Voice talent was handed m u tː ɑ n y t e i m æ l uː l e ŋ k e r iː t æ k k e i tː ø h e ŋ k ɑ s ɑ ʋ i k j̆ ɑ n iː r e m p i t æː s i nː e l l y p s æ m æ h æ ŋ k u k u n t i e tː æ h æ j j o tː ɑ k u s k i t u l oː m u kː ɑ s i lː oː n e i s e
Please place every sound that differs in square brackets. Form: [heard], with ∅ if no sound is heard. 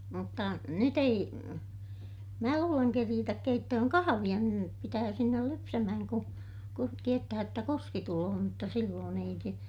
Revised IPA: m u tː ɑ n y t e i m [æː] l uː l e ŋ k e r iː t æ k k e i tː ø h [ø] ŋ k ɑ [h] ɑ ʋ i [∅] j̆ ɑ n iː r e m p i t æː s i nː e l l y p s æ m æ h æ ŋ k u k u n t i e tː æ h æ j j o tː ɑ k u s k i t u l oː m u [tː] ɑ s i lː oː n e i s e